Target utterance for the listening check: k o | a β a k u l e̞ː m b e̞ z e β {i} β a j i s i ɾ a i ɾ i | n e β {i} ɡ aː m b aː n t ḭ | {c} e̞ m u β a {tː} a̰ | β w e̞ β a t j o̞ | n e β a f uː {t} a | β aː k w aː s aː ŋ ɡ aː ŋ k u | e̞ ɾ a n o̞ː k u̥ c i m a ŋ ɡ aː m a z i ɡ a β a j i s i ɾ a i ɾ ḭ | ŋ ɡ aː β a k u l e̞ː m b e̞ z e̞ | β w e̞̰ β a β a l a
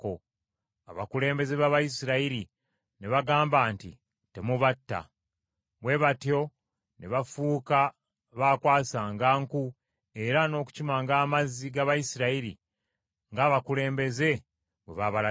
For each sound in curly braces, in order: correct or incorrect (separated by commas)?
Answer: incorrect, incorrect, incorrect, correct, incorrect